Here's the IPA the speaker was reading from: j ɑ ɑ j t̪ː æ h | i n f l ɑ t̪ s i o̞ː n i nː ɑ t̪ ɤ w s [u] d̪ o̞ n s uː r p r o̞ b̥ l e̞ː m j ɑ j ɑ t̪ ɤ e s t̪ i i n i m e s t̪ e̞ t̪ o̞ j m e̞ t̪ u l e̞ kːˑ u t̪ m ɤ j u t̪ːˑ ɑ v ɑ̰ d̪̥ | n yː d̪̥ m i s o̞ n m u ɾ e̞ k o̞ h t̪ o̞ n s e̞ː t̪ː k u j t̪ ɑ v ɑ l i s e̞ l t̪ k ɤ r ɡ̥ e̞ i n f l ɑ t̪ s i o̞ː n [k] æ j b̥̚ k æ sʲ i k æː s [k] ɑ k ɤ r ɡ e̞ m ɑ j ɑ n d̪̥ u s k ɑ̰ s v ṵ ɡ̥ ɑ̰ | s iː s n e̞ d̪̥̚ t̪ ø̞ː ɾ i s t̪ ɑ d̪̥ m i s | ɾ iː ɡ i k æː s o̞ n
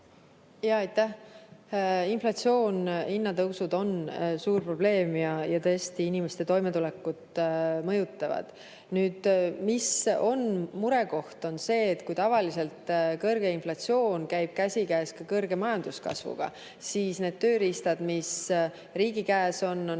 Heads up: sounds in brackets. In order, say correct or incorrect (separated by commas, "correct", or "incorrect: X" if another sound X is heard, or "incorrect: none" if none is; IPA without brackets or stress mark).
correct, correct, correct